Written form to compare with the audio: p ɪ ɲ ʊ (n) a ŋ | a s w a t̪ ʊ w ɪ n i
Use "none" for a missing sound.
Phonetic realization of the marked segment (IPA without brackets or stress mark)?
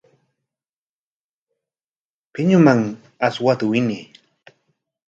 m